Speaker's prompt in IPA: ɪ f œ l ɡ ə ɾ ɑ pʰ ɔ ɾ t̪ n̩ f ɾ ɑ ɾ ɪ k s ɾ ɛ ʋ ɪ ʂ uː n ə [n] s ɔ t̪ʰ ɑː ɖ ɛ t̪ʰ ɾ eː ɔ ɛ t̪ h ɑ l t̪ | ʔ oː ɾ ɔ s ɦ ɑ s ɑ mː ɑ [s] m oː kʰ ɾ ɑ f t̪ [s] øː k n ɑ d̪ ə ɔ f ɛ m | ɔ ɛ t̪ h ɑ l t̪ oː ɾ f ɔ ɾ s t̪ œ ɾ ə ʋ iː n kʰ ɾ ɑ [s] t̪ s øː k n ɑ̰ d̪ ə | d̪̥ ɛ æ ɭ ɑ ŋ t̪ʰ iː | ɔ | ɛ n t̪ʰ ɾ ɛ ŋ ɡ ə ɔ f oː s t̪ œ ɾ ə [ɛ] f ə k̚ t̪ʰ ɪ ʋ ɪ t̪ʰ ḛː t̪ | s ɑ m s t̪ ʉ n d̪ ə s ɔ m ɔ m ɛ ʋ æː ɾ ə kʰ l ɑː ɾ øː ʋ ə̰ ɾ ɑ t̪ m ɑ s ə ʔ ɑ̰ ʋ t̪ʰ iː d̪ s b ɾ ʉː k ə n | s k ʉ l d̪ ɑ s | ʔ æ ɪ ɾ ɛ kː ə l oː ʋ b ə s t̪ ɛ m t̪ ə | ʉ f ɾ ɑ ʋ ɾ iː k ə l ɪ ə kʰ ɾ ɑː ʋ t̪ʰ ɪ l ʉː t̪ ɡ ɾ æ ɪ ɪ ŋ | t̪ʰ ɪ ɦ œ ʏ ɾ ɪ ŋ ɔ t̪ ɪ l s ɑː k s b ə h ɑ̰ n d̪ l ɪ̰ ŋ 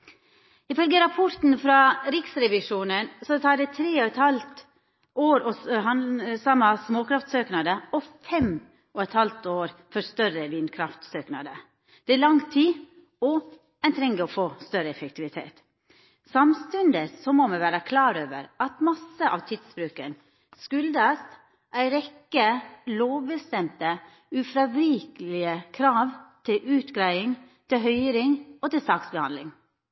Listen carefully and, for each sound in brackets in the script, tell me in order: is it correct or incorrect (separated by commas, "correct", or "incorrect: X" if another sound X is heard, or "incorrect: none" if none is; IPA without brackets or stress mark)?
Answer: correct, correct, correct, incorrect: f, correct